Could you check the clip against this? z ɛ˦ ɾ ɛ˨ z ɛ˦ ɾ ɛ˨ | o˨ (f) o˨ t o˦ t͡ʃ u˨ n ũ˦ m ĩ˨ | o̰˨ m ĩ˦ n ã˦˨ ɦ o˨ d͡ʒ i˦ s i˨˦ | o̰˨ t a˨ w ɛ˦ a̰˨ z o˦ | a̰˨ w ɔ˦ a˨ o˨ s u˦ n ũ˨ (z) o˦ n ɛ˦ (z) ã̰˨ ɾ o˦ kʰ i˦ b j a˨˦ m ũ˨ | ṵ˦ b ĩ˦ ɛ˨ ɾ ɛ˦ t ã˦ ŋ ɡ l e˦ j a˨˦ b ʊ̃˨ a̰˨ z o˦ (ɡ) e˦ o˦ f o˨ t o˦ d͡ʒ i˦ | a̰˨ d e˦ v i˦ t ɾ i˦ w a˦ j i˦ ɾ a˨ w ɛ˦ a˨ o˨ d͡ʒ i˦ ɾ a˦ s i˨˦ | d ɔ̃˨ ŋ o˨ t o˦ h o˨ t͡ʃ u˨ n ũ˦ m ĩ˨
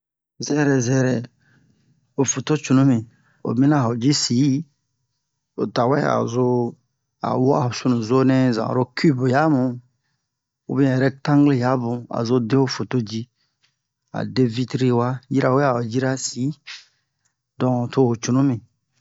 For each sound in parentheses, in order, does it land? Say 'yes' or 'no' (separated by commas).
yes, yes, yes, no